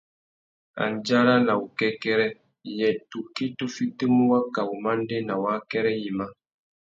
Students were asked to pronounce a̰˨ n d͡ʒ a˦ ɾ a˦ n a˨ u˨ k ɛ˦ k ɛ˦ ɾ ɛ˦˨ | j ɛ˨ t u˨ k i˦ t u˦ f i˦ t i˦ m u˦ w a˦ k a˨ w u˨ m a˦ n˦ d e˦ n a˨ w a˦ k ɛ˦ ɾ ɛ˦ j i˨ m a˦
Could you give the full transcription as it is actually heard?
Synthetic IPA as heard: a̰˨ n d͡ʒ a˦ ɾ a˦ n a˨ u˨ k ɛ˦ k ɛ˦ ɾ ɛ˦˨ | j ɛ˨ t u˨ k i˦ t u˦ f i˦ t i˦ m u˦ w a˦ k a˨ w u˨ m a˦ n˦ d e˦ n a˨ w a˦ k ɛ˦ ɾ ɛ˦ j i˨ m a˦